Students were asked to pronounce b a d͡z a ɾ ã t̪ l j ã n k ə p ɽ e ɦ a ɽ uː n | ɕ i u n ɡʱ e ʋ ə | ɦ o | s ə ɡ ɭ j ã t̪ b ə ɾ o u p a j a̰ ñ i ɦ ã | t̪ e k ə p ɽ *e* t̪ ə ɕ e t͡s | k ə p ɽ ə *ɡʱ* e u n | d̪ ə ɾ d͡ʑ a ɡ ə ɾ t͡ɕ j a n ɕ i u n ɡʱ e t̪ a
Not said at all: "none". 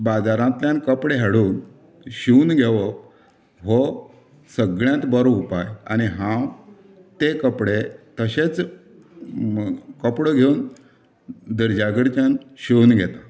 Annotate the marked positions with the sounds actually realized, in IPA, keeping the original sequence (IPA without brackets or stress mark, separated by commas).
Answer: e, ɡʱ